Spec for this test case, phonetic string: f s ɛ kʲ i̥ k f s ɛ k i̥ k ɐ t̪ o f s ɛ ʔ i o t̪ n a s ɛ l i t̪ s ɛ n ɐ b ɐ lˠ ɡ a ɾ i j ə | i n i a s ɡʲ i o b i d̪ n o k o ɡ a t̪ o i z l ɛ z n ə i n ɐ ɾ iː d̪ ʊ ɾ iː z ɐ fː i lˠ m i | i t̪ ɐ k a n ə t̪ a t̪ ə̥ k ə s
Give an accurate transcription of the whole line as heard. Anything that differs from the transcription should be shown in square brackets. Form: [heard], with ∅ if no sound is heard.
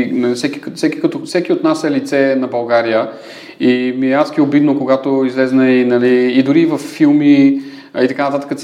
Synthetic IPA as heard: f s ɛ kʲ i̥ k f s ɛ k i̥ k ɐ t̪ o f s ɛ [k] i o t̪ n a s ɛ l i t̪ s ɛ n ɐ b ɐ lˠ ɡ a ɾ i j ə | i [m] i a s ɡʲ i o b i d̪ n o k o ɡ a t̪ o i z l ɛ z n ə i n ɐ [l] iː d̪ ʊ ɾ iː [v] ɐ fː i lˠ m i | i t̪ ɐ k a n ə t̪ a t̪ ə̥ k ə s